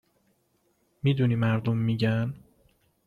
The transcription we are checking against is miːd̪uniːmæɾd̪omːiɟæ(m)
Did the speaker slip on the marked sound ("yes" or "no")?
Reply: yes